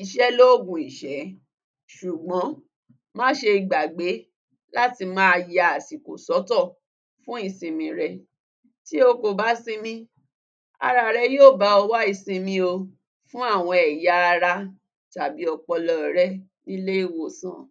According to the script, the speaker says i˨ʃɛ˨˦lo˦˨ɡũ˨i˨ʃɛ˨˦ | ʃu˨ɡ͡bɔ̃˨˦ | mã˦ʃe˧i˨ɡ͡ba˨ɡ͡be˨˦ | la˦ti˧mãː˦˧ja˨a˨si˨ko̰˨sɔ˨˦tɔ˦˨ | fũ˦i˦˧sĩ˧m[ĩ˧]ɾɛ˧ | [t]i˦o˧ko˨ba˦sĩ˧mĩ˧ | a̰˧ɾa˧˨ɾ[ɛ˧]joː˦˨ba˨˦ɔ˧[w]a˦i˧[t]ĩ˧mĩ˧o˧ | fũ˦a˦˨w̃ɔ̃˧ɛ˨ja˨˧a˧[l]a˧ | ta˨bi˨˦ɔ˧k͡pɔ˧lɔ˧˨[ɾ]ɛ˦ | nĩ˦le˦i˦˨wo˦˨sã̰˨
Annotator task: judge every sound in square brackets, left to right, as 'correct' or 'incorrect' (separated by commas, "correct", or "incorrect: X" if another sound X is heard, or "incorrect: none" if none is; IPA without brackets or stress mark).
correct, correct, correct, correct, incorrect: s, incorrect: ɾ, correct